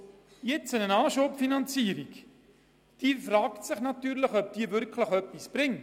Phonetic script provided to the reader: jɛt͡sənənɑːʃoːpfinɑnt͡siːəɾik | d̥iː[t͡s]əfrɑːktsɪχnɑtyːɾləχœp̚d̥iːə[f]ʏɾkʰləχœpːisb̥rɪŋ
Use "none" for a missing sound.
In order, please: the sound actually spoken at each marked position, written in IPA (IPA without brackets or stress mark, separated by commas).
none, v